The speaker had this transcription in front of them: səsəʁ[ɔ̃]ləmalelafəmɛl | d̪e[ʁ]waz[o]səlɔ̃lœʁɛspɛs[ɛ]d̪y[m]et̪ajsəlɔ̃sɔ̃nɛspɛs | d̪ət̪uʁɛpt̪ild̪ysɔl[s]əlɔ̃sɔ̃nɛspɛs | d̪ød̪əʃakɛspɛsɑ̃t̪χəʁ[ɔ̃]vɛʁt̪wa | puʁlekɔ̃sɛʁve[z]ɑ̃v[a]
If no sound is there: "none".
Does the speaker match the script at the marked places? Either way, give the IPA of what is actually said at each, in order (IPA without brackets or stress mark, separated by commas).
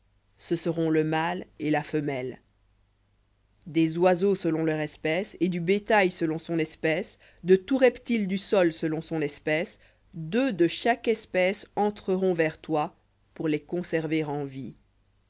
ɔ̃, z, o, e, b, s, ɔ̃, ʁ, i